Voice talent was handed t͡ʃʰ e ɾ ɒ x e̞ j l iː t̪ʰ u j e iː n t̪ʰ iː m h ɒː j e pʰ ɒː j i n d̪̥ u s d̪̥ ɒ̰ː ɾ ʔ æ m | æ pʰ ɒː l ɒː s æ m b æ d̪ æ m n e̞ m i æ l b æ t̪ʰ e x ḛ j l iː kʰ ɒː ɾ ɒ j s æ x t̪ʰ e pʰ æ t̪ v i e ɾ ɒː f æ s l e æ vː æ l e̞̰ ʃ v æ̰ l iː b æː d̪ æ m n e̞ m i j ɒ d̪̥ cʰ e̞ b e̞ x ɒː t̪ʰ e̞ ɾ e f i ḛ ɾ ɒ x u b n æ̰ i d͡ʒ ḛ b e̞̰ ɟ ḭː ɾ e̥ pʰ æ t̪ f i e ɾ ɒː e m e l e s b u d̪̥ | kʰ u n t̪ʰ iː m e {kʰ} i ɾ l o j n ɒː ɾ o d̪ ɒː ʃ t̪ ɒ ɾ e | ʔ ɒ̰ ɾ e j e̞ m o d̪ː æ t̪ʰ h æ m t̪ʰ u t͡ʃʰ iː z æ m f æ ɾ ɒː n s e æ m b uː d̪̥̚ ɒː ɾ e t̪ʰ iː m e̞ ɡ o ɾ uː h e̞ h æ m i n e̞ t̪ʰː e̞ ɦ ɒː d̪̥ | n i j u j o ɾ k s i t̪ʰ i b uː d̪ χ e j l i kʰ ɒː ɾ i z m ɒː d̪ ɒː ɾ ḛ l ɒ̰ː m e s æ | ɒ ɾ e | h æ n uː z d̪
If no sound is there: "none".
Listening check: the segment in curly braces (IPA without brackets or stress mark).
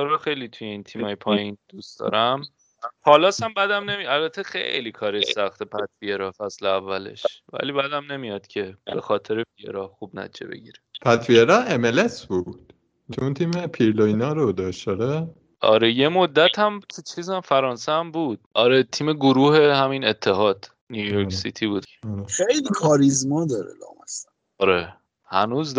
pʰ